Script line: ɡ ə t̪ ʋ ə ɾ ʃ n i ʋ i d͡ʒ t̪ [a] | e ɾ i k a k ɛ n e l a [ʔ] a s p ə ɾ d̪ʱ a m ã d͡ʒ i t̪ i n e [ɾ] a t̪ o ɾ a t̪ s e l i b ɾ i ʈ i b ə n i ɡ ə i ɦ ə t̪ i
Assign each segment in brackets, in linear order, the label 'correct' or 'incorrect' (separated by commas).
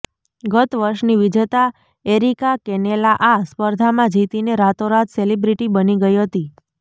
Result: correct, correct, correct